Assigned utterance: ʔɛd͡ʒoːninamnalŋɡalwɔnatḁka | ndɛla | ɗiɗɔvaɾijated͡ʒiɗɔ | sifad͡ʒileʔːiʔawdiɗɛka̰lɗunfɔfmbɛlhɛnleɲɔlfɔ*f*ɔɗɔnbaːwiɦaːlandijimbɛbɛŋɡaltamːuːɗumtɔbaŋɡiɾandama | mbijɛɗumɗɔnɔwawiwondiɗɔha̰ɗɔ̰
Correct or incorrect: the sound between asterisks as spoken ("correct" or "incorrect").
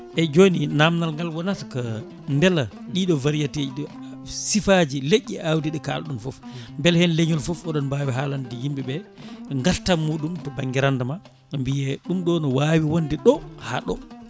correct